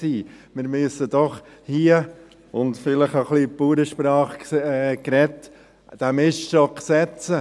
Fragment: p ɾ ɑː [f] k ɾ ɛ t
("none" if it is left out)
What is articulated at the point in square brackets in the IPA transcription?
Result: χ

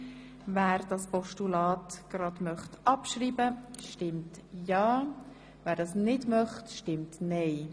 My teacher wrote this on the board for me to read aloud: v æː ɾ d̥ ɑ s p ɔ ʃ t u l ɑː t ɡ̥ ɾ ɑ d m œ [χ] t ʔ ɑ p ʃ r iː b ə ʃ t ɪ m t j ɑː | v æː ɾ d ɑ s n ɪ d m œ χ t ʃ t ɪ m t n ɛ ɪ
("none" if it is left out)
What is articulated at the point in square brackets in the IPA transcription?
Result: χ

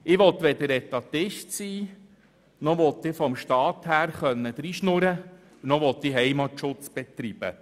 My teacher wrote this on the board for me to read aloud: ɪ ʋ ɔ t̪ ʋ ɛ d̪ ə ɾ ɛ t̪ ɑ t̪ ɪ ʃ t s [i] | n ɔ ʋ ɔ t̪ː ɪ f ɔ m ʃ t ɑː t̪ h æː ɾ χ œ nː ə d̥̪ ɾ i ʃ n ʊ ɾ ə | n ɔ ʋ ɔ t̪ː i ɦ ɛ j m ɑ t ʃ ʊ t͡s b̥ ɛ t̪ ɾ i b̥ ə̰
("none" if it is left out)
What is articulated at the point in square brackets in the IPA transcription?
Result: iː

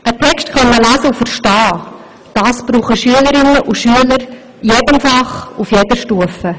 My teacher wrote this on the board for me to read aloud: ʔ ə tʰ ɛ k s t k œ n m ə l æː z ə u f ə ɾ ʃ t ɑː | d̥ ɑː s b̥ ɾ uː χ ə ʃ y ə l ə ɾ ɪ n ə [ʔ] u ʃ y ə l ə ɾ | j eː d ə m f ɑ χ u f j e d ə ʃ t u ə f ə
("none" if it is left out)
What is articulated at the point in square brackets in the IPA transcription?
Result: ʔ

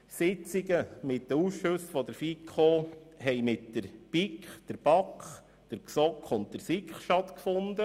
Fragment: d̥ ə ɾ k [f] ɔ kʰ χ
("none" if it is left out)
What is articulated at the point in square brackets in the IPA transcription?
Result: s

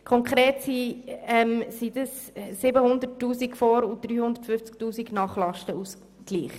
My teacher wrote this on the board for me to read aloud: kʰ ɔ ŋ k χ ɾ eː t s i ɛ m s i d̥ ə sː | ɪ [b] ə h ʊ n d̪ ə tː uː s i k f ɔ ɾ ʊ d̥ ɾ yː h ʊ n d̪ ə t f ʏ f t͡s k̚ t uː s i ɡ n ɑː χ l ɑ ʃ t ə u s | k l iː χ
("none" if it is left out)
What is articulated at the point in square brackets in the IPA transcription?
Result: b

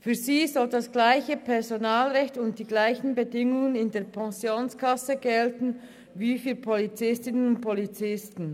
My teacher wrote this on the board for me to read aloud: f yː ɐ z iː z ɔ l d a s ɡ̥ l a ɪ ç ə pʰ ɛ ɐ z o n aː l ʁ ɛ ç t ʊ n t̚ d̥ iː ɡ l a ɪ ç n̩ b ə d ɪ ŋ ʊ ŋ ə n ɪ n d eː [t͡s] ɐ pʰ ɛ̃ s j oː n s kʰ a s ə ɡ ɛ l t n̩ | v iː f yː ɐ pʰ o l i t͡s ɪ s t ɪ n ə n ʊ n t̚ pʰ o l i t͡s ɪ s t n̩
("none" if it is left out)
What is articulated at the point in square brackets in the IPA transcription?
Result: none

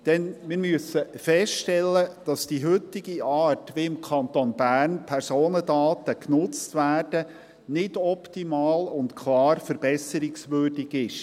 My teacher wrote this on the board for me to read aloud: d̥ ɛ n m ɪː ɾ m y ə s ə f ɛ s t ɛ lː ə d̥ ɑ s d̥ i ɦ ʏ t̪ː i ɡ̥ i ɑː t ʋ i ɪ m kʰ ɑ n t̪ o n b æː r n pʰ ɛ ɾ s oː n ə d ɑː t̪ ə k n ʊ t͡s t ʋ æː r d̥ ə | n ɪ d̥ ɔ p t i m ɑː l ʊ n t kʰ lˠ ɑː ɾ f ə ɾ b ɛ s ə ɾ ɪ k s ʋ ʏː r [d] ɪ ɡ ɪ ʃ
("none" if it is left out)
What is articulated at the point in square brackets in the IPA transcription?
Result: d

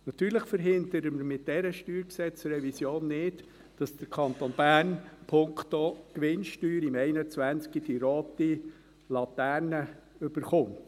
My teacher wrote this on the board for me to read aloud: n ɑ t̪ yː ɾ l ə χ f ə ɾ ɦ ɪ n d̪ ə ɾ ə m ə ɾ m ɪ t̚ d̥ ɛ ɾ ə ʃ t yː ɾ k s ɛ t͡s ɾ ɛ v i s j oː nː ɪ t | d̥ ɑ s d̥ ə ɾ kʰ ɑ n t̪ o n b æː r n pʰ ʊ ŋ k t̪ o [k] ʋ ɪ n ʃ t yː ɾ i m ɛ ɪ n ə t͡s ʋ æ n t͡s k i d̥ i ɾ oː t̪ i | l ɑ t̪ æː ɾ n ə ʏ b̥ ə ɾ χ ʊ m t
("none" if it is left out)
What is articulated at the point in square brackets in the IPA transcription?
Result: k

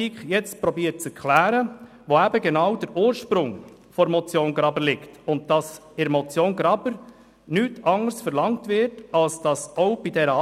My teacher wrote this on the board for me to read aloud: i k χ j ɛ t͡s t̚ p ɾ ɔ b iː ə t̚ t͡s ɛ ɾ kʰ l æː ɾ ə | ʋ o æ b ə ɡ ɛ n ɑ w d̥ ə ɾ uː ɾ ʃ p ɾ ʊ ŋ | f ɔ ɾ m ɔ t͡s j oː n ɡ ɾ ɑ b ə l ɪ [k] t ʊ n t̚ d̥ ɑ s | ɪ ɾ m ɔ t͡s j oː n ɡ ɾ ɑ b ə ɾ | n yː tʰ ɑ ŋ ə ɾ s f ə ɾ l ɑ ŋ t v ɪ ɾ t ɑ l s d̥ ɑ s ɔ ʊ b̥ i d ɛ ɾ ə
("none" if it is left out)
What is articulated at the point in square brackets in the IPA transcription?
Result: k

